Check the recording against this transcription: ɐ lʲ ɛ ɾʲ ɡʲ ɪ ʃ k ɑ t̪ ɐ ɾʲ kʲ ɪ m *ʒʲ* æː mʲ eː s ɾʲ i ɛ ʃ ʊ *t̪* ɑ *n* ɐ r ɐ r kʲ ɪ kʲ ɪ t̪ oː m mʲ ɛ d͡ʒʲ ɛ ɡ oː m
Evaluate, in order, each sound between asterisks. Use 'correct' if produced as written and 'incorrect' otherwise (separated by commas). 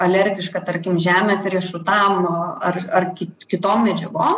correct, correct, incorrect